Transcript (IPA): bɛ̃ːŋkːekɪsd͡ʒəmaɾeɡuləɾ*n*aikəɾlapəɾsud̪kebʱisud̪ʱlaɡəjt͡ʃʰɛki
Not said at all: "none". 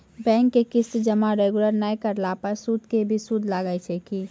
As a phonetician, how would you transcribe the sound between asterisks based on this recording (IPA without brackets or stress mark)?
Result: n